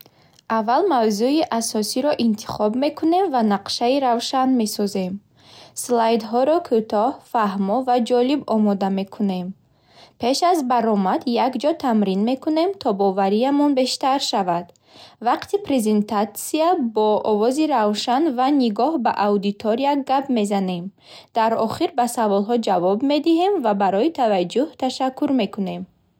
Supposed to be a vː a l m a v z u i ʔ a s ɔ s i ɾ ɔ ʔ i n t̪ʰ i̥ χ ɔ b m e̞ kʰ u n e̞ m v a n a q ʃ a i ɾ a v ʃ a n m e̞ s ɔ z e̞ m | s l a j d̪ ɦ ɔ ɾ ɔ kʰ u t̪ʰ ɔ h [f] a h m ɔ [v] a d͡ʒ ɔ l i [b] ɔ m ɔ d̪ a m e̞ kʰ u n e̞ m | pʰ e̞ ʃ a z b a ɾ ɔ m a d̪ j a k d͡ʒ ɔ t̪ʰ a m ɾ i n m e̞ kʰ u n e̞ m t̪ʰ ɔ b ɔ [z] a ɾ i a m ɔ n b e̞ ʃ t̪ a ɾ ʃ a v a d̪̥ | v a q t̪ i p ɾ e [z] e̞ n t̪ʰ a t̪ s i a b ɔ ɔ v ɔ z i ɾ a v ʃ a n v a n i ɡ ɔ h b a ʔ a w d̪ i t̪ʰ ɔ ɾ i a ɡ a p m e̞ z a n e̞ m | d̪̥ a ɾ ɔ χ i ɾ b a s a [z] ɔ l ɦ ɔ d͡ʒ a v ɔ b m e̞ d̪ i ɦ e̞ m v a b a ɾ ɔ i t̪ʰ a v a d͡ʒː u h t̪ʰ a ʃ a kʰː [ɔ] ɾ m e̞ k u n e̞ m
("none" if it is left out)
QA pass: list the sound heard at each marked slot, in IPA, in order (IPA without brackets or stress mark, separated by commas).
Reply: f, v, b, v, z, v, u